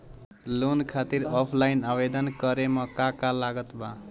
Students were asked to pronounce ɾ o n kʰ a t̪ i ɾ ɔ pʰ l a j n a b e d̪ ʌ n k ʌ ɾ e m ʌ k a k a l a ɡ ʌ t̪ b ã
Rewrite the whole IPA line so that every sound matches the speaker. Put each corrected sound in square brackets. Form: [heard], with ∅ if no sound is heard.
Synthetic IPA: [l] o n kʰ a t̪ i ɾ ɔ pʰ l a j n a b e d̪ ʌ n k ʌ ɾ e m ʌ k a k a l a ɡ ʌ t̪ b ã

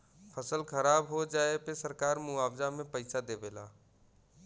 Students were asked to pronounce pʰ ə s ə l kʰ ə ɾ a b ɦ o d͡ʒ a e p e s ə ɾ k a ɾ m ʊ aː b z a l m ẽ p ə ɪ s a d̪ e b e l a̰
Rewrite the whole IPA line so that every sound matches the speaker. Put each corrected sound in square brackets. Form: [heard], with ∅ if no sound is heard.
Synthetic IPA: pʰ ə s ə l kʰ ə ɾ a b ɦ o d͡ʒ a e p e s ə ɾ k a ɾ m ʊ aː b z a [∅] m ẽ p ə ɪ s a d̪ e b e l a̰

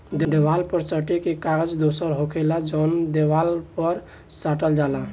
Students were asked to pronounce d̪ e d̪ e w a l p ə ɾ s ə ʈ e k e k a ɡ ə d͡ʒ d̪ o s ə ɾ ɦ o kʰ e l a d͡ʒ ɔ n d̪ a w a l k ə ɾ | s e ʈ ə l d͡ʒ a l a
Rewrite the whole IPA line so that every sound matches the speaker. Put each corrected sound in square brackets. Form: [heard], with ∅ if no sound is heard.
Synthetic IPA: d̪ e d̪ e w a l p ə ɾ s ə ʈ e k e k a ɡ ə d͡ʒ d̪ o s ə ɾ ɦ o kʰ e l a d͡ʒ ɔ n d̪ [e] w a l [p] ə ɾ | s [a] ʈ ə l d͡ʒ a l a

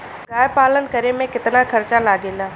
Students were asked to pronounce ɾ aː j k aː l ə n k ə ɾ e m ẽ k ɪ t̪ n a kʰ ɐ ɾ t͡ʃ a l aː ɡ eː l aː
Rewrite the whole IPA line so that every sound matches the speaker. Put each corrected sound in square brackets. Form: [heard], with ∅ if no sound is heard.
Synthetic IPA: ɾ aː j [p] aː l ə n k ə ɾ e m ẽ k ɪ t̪ n a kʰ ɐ ɾ t͡ʃ a l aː ɡ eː l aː

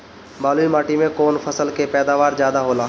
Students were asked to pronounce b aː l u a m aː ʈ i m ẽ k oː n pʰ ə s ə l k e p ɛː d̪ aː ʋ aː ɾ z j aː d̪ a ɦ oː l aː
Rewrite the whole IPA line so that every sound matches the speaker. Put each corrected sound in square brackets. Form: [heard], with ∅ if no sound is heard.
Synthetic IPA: b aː l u [i] m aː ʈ i m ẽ k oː n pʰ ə s ə l k e p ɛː d̪ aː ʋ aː ɾ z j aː d̪ a ɦ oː l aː

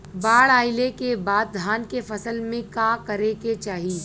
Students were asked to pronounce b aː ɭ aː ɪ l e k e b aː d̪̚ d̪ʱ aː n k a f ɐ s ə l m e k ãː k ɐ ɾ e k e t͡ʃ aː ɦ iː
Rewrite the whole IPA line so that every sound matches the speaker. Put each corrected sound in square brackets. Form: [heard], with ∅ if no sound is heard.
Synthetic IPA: b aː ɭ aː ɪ l e k e b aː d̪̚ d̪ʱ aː n k [e] f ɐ s ə l m [ẽ] k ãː k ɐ ɾ e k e t͡ʃ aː ɦ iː

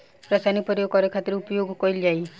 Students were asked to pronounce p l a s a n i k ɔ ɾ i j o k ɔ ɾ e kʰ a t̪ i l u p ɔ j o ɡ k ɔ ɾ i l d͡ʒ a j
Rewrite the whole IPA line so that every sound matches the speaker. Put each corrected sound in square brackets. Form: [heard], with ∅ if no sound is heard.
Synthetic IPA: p [ɾ] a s a n i [p] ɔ ɾ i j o k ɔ ɾ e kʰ a t̪ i [ɾ] u p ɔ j o ɡ k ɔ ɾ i l d͡ʒ a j

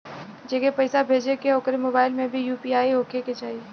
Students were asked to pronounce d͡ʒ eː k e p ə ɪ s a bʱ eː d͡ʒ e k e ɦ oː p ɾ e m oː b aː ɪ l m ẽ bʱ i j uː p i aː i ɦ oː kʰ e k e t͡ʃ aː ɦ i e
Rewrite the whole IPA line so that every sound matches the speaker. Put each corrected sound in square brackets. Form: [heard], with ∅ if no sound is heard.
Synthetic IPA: d͡ʒ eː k e p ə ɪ s a bʱ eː d͡ʒ e k e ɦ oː [k] ɾ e m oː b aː ɪ l m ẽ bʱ i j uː p i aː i ɦ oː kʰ e k e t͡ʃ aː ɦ i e

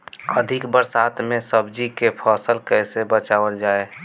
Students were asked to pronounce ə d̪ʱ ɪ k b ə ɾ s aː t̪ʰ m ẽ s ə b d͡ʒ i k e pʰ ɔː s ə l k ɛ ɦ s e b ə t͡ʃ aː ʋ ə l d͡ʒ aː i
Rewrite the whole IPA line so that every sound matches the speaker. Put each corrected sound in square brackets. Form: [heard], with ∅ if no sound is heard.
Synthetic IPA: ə d̪ʱ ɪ k b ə ɾ s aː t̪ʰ m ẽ s ə b d͡ʒ i k e pʰ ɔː s ə l k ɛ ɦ s e b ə t͡ʃ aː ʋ ə l d͡ʒ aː [e]

